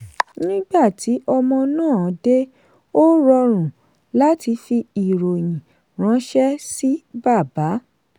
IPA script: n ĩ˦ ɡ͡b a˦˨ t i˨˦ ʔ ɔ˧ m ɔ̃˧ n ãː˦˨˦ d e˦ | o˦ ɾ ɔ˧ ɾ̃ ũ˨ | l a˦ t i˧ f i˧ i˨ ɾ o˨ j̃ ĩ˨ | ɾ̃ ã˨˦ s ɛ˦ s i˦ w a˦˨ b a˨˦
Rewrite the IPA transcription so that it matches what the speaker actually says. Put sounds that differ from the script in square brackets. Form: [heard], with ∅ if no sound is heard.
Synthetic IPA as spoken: n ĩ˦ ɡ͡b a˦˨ t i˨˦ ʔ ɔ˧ m ɔ̃˧ n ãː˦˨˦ d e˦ | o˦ ɾ ɔ˧ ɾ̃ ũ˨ | l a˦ t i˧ f i˧ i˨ ɾ o˨ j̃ ĩ˨ | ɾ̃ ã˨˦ [ʃ] ɛ˦ s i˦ [b] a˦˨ b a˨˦